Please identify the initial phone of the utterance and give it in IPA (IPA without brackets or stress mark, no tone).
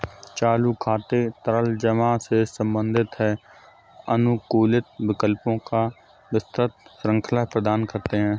t͡ʃ